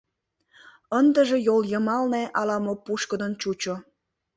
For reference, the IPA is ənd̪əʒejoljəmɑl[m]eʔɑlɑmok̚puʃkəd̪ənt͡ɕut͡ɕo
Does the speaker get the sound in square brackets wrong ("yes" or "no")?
yes